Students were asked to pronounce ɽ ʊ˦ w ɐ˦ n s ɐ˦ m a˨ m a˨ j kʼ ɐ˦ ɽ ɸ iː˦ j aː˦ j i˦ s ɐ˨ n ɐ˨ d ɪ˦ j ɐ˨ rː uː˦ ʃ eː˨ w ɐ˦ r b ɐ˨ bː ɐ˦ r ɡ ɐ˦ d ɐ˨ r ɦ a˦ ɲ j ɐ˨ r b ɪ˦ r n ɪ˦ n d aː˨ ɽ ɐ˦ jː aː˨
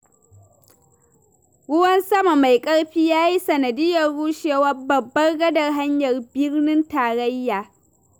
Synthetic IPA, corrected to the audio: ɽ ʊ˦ w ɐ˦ n s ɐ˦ m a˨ m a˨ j kʼ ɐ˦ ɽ ɸ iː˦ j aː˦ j i˦ s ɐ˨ n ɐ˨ d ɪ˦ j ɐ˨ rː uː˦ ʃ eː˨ w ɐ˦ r b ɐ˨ bː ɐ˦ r ɡ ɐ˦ d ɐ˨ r ɦ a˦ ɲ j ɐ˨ r b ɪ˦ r n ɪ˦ n t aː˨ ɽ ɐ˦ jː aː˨

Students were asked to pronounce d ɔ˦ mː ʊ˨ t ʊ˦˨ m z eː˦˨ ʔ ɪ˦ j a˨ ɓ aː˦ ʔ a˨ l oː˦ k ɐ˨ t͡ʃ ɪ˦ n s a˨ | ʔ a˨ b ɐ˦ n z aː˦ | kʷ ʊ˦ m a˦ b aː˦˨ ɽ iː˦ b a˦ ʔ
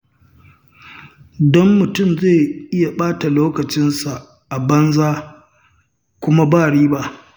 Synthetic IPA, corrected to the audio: d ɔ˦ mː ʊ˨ t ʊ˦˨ m z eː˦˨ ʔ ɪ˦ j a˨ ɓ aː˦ t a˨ l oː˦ k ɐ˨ t͡ʃ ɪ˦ n s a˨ | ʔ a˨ b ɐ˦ n z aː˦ | kʷ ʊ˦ m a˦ b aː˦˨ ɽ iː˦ b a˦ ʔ

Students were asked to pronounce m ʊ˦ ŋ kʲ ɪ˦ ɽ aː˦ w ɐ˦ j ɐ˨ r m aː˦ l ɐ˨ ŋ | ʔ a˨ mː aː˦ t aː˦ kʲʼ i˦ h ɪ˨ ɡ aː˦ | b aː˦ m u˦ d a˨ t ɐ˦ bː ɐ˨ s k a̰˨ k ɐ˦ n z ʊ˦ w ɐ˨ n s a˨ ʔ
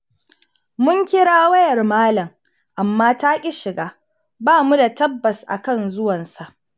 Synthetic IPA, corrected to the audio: m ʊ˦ ŋ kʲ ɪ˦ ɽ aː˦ w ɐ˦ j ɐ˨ r m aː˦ l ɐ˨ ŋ | ʔ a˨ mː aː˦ t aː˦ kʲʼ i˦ ʃ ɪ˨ ɡ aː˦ | b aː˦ m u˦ d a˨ t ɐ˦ bː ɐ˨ s ʔ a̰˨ k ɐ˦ n z ʊ˦ w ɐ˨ n s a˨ ʔ

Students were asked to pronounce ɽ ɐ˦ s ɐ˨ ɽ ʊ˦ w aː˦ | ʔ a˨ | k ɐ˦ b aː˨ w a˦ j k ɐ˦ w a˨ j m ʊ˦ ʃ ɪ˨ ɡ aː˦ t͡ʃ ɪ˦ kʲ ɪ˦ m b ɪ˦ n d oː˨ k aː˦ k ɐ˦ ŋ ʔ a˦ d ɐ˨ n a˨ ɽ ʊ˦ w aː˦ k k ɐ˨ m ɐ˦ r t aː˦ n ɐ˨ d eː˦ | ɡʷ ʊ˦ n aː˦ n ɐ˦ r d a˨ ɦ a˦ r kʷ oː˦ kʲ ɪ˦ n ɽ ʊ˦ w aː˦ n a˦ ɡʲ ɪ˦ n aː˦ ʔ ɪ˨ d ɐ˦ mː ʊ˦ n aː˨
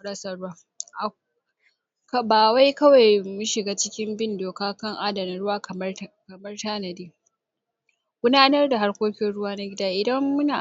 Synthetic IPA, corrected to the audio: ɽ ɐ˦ s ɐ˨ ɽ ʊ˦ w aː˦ | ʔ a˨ | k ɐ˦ b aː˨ w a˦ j k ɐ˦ w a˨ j m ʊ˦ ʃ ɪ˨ ɡ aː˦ t͡ʃ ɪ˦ kʲ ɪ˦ m b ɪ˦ n d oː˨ k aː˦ k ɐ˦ ŋ ʔ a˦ d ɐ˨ n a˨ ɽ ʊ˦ w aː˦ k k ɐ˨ m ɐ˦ r t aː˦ n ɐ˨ d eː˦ | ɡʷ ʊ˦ n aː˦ n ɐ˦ r d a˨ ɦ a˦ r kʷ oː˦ kʲ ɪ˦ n ɽ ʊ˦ w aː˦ n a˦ ɡʲ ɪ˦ d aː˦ ʔ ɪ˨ d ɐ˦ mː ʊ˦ n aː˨

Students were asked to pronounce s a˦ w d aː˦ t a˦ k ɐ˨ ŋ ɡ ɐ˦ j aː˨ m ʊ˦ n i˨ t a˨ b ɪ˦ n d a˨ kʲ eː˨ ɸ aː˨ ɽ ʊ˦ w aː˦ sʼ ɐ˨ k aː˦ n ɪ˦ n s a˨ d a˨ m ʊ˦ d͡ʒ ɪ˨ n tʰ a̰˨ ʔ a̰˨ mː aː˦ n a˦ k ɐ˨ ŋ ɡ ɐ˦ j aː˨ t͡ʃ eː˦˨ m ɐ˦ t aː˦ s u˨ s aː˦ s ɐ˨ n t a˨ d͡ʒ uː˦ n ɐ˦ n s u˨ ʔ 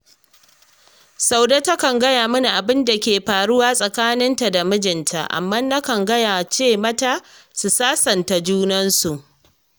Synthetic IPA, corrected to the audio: s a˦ w d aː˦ t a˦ k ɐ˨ ŋ ɡ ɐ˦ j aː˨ m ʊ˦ n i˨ ʔ a˨ b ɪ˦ n d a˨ kʲ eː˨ ɸ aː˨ ɽ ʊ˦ w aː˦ sʼ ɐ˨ k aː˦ n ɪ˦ n t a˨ d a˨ m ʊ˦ d͡ʒ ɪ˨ n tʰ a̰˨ ʔ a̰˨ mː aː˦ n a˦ k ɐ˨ ŋ ɡ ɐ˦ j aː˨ t͡ʃ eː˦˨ m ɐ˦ t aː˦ s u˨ s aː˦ s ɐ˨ n t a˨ d͡ʒ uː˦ n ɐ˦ n s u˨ ʔ

